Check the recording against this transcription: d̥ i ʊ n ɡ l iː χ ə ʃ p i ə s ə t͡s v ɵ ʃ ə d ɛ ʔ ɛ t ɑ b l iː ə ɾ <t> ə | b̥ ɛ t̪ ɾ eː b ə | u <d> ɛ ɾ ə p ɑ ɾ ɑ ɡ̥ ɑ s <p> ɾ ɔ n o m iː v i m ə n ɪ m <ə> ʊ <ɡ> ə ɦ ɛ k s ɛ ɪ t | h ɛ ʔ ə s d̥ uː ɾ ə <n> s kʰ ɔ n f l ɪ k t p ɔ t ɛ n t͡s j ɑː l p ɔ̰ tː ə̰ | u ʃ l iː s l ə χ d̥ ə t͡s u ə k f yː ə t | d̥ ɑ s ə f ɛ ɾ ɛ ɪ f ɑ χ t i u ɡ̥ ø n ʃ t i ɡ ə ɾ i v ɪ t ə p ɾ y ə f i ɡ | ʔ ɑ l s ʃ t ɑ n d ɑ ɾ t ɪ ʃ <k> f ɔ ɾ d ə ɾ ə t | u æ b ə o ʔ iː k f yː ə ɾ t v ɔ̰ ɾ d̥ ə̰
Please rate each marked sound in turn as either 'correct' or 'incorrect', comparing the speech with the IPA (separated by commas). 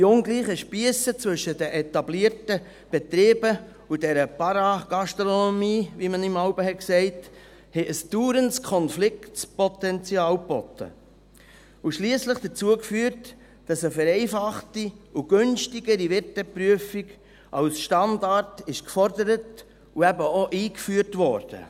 correct, correct, incorrect, incorrect, incorrect, correct, correct